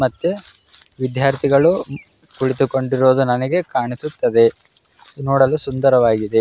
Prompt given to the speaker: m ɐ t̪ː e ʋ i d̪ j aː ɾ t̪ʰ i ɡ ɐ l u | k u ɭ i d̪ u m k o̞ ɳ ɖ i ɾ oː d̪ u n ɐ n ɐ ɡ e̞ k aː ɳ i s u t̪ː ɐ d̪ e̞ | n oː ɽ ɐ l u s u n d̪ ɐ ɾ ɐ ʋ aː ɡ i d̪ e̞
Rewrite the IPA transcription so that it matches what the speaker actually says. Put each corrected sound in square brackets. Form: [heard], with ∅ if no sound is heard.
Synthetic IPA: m ɐ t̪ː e ʋ i d̪ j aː ɾ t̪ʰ i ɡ ɐ [ɭ] u | k u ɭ i [t̪] u [∅] k o̞ ɳ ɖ i ɾ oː d̪ u n ɐ n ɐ ɡ e̞ k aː ɳ i s u t̪ː ɐ d̪ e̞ | n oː ɽ ɐ l u s u n d̪ ɐ ɾ ɐ ʋ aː ɡ i d̪ e̞